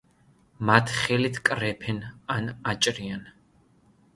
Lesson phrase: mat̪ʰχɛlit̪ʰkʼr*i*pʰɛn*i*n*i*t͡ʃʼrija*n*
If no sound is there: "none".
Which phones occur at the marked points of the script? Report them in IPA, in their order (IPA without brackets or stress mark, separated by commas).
ɛ, a, a, n